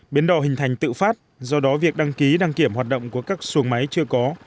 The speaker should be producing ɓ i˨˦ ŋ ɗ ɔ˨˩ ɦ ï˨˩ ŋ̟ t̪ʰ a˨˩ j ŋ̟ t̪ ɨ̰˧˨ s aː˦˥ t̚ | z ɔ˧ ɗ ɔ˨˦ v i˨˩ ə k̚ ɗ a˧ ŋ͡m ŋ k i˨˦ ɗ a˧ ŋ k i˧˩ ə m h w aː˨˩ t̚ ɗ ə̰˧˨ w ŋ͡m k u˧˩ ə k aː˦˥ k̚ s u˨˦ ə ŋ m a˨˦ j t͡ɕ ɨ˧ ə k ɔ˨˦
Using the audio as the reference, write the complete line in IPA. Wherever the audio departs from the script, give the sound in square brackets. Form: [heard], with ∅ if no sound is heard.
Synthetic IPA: ɓ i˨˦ [n] ɗ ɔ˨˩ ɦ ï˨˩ ŋ̟ t̪ʰ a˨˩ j ŋ̟ t̪ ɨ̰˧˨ [f] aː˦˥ t̚ | z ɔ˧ ɗ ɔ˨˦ v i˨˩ ə k̚ ɗ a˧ [∅] ŋ k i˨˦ ɗ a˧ ŋ k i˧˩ ə m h w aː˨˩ t̚ ɗ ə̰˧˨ w ŋ͡m k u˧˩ ə k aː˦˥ k̚ s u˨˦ ə ŋ m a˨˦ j t͡ɕ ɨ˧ ə k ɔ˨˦